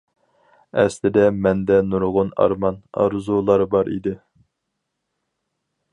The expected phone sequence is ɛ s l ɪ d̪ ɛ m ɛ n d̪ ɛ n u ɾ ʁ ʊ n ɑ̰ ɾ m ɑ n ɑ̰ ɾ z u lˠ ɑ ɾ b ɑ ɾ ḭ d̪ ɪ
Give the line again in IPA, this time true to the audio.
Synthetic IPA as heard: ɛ s l ɪ d̪ ɛ m ɛ n d̪ ɛ n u ɾ ʁ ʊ n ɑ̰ ɾ m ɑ n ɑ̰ ɾ z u lˠ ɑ ɾ b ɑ ɾ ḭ d̪ ɪ